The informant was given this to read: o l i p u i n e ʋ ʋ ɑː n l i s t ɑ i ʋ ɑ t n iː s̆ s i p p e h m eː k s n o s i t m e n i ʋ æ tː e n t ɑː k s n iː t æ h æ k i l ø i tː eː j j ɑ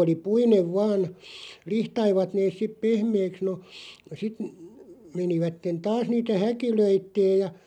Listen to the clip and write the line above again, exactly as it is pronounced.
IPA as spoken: o l i p u i n e ʋ ʋ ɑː n l i h t ɑ i ʋ ɑ t n eː s̆ s i p p e h m eː k s n o s i t m e n i ʋ æ tː e n t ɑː s n iː t æ h æ k i l ø i tː eː j j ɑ